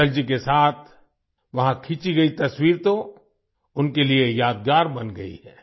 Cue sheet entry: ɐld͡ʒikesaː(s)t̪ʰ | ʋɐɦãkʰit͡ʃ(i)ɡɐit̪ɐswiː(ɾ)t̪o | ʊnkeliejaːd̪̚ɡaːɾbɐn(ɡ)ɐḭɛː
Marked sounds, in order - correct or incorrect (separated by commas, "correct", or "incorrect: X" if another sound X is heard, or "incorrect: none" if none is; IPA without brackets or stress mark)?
incorrect: none, correct, correct, correct